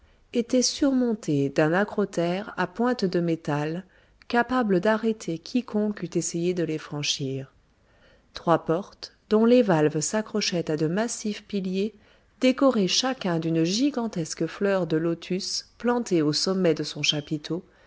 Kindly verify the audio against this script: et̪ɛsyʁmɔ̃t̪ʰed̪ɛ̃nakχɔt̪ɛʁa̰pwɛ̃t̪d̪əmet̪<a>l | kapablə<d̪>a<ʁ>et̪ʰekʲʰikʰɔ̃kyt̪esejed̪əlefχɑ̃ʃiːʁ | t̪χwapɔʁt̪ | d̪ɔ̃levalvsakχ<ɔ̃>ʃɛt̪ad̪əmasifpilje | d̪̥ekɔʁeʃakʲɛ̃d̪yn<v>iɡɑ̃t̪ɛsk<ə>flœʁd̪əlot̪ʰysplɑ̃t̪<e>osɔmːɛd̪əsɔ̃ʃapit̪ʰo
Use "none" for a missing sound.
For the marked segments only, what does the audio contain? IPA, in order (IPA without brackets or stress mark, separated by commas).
a, d̪, ʁ, ɔ, ʒ, ə, e